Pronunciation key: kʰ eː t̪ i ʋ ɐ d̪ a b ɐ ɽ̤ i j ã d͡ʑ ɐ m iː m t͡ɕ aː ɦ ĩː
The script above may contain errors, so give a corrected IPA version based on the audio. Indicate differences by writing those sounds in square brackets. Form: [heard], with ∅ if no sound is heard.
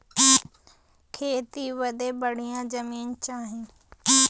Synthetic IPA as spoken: kʰ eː t̪ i ʋ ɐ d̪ [e] b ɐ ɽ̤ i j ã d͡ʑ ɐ m iː [n] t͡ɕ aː ɦ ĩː